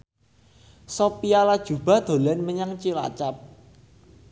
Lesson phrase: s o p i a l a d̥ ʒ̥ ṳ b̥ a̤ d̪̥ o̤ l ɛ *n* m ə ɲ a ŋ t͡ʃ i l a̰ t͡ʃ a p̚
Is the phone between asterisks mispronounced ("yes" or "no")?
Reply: no